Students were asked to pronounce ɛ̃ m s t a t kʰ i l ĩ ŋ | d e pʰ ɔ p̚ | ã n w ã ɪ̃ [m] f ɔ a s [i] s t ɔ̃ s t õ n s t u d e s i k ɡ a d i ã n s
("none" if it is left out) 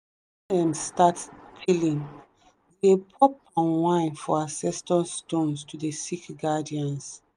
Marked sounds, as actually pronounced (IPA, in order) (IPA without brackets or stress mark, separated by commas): n, ɛ